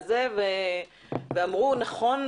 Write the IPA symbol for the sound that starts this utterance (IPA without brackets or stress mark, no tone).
z